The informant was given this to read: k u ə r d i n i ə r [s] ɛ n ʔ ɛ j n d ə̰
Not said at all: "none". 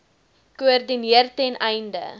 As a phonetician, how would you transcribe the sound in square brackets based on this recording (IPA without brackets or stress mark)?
t